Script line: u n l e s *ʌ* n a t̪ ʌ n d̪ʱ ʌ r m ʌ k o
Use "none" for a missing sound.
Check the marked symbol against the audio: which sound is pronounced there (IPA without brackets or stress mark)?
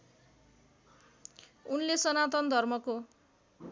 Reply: ʌ